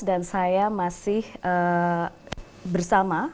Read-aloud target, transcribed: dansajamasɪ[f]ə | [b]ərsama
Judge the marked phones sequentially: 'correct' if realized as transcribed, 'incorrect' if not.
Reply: incorrect: h, correct

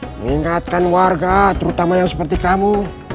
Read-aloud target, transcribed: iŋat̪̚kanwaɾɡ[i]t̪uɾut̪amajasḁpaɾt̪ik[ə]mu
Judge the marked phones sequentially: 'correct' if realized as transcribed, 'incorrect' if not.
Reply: incorrect: a, incorrect: a

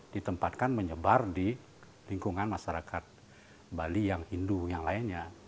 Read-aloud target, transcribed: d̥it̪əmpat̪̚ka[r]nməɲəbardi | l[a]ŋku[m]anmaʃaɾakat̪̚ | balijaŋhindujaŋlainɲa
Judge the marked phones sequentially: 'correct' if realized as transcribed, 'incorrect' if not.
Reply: incorrect: none, incorrect: i, incorrect: ŋ

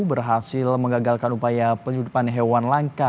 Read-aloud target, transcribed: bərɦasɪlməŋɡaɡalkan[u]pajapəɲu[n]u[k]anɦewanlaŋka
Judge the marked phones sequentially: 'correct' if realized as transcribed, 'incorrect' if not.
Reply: correct, incorrect: d, incorrect: p

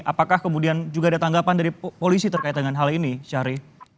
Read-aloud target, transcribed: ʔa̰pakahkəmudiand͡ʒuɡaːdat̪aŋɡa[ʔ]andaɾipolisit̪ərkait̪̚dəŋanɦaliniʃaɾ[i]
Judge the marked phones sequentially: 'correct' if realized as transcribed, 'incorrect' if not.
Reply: incorrect: p, correct

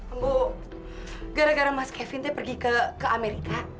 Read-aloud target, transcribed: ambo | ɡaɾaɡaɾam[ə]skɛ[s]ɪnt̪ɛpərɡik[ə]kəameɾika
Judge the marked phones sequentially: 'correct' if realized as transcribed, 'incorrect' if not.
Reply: incorrect: a, incorrect: f, correct

